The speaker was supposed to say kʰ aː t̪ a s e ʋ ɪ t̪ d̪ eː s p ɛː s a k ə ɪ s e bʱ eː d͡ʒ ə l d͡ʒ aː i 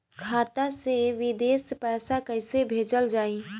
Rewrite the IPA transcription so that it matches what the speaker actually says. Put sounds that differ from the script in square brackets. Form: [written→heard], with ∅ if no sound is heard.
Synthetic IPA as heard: kʰ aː t̪ a s e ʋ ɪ [t̪→∅] d̪ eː s p ɛː s a k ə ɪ s e bʱ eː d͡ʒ ə l d͡ʒ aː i